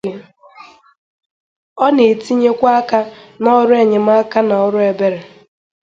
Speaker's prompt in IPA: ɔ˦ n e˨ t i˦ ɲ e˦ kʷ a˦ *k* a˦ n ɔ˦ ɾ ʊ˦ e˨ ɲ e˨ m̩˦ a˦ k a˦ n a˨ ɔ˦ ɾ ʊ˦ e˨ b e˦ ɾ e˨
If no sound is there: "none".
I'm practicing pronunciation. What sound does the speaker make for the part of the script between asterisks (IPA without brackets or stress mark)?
k